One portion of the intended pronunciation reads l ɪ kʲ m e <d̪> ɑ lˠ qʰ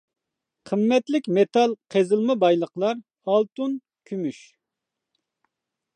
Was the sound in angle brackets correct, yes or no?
no